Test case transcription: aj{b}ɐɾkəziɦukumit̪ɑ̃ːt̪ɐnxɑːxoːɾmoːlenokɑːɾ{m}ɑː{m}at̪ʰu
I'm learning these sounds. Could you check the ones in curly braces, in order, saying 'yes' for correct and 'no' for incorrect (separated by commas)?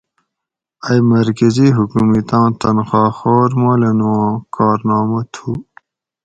no, no, yes